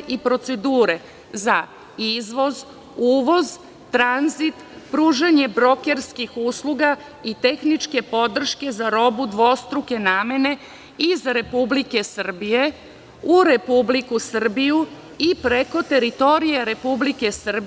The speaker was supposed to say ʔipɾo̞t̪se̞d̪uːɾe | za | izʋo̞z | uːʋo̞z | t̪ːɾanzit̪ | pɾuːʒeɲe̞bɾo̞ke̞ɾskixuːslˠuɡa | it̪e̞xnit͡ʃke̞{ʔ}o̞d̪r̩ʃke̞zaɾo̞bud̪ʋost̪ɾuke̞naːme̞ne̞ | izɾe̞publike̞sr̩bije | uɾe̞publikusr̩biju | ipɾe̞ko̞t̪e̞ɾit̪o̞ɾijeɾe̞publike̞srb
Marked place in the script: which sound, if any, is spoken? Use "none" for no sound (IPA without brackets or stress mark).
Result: p